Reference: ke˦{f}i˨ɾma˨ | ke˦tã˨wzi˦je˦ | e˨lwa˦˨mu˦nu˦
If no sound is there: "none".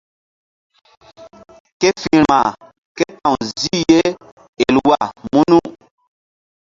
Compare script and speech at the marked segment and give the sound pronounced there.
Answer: f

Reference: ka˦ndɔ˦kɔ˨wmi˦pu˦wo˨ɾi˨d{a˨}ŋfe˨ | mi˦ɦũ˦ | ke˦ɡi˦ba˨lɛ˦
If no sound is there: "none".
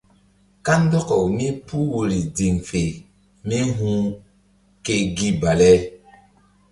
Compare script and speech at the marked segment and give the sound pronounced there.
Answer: i˨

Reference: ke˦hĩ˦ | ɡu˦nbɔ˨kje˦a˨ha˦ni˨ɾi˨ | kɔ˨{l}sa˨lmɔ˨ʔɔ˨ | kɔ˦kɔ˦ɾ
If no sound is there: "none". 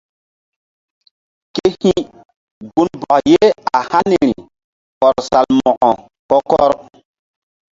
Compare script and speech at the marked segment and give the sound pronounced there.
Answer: ɾ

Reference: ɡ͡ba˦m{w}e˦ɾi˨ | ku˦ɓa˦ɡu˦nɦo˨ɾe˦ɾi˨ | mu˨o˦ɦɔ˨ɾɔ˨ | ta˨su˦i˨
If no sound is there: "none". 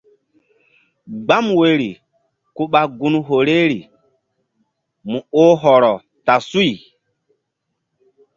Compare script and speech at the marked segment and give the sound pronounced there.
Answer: w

